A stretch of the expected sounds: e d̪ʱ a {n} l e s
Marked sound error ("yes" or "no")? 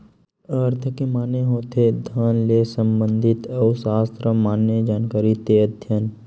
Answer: no